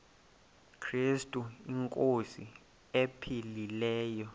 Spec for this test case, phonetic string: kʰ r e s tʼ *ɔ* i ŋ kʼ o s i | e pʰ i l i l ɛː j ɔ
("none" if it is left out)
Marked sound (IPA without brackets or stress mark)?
u